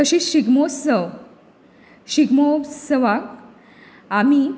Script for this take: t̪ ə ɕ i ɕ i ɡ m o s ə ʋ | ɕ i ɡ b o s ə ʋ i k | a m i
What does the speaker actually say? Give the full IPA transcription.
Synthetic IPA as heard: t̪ ə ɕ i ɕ i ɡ m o s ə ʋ | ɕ i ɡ m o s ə ʋ a k | a m i